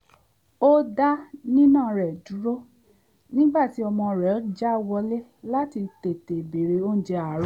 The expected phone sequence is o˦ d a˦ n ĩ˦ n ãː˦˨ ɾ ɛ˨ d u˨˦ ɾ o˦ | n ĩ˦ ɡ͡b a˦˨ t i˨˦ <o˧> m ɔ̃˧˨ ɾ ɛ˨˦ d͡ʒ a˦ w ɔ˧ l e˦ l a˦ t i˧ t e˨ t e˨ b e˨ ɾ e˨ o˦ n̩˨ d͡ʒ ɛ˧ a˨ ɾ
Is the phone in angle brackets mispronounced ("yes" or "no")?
yes